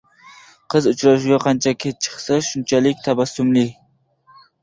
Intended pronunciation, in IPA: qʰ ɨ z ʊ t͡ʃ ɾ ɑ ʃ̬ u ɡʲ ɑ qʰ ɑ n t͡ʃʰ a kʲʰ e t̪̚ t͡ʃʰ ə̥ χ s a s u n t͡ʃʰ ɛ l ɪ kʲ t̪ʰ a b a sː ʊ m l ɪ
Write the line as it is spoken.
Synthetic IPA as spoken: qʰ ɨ z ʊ t͡ʃ ɾ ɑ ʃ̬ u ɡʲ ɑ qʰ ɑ n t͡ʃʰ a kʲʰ e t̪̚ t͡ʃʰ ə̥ χ s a ʃ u n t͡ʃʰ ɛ l ɪ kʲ t̪ʰ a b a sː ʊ m l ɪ